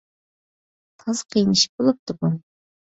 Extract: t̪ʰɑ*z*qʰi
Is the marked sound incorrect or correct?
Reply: correct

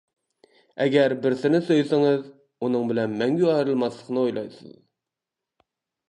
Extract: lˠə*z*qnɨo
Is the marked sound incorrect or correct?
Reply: incorrect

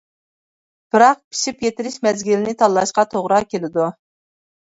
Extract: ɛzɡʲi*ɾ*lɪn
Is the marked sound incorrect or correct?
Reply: incorrect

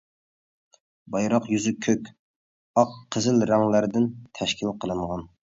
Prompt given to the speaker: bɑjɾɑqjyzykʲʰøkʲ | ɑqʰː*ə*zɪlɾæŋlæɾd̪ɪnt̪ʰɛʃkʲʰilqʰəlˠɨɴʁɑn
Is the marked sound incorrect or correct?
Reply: correct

